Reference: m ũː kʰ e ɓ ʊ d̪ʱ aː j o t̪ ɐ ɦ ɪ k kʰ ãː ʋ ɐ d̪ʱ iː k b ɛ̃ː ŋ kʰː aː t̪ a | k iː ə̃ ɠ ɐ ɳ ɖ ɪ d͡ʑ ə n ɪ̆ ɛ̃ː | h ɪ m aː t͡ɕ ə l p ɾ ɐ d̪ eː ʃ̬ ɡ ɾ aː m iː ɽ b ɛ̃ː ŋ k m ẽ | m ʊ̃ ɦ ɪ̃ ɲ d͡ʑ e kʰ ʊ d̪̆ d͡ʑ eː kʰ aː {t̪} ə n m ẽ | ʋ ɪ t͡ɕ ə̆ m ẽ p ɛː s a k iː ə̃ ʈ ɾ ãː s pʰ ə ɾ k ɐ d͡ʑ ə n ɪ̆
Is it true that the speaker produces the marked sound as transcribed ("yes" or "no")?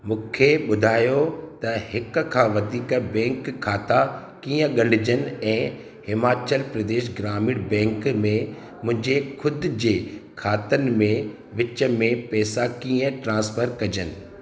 yes